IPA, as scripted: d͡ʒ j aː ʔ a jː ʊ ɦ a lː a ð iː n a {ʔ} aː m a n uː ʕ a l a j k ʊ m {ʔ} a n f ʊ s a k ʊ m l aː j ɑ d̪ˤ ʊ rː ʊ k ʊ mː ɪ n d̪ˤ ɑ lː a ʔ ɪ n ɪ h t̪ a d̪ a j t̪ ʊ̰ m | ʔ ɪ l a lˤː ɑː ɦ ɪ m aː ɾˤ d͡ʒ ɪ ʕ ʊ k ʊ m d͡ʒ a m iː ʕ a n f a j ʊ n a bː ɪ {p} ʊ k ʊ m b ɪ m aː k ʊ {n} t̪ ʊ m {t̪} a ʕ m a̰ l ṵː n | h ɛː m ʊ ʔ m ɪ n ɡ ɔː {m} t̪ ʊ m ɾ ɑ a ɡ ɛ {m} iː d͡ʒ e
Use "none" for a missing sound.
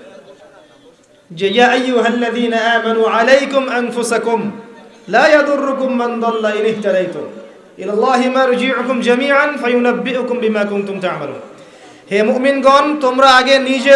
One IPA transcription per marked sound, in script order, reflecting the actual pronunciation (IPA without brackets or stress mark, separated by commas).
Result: ʔ, ʔ, ʔ, n, t̪, n, n